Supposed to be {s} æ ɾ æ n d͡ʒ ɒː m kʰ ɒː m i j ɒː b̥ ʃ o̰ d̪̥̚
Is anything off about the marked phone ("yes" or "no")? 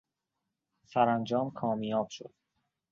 no